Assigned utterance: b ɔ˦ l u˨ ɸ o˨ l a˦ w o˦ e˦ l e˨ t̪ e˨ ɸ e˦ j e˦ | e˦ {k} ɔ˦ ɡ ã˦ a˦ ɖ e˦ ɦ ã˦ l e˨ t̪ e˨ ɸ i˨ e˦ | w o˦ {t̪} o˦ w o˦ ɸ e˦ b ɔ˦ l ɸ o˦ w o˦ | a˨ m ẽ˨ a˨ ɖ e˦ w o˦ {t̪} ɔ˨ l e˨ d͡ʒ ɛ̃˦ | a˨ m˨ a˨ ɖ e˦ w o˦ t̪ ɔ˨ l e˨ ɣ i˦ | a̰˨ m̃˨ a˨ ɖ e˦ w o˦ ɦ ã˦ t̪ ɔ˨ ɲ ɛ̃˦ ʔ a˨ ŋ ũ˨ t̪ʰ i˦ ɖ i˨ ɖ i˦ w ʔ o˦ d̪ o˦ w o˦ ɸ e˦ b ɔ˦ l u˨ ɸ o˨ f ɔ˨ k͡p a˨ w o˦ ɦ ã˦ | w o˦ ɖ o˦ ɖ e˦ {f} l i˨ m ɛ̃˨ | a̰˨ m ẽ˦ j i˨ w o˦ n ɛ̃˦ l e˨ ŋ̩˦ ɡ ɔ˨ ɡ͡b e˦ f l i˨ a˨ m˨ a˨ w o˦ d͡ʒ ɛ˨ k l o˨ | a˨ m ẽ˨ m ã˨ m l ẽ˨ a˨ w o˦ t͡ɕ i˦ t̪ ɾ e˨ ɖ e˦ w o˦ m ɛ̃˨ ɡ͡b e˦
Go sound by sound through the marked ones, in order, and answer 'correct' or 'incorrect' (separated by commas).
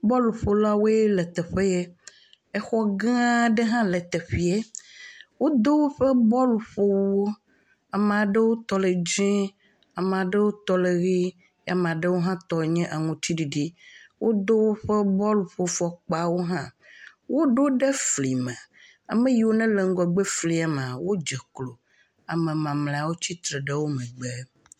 incorrect, incorrect, correct, correct